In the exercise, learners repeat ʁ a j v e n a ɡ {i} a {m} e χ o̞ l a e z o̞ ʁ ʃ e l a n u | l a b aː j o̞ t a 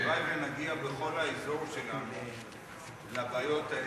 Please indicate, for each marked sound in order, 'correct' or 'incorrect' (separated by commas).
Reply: correct, incorrect